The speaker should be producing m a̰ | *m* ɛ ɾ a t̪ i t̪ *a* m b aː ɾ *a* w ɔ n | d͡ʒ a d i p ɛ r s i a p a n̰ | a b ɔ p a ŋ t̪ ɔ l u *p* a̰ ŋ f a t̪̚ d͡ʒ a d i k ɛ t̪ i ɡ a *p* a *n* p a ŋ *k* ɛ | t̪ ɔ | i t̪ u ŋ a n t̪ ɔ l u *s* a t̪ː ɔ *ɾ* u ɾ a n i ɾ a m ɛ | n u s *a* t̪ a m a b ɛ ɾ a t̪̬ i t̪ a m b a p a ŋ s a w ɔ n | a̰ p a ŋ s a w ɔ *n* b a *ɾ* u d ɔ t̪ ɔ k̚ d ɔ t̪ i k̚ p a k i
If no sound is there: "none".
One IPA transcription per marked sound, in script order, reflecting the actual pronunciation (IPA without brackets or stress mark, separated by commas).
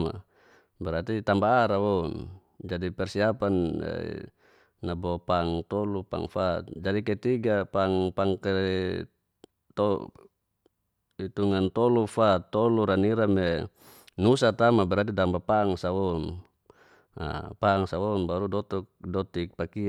b, a, a, p, p, ŋ, k, f, l, a, n, ɾ